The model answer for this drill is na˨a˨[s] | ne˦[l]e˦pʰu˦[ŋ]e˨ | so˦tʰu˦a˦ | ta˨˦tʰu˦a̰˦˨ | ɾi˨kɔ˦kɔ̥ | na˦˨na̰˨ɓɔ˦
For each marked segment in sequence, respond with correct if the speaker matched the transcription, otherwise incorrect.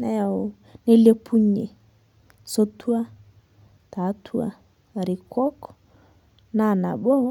incorrect, correct, incorrect

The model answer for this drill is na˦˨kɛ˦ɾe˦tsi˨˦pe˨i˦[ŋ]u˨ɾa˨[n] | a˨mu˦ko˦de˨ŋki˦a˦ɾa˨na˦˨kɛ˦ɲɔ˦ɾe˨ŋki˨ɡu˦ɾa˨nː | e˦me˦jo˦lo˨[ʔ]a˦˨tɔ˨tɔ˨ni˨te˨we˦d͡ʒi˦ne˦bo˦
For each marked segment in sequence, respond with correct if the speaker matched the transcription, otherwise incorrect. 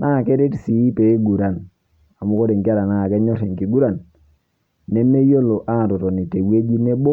incorrect, correct, correct

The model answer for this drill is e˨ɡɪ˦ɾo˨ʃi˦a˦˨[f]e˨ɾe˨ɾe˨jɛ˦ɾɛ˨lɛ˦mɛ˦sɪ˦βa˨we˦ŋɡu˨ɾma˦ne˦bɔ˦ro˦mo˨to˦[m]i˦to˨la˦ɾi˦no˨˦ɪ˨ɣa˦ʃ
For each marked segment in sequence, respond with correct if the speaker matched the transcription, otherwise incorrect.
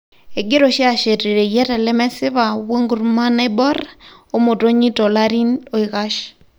incorrect, incorrect

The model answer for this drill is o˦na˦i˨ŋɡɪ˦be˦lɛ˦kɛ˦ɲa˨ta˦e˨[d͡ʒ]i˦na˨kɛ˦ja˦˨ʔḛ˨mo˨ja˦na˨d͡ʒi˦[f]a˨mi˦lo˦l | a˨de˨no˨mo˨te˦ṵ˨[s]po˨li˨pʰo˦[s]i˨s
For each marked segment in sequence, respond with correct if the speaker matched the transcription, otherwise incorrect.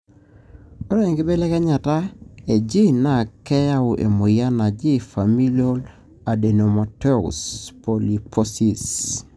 correct, correct, correct, correct

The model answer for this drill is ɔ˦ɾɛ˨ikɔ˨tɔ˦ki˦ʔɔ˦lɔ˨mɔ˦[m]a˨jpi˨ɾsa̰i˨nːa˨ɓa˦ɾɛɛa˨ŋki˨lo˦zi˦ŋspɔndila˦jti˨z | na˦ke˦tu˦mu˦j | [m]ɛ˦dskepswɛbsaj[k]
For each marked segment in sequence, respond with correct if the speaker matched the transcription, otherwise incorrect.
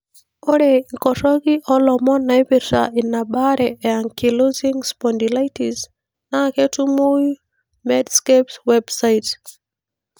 incorrect, correct, incorrect

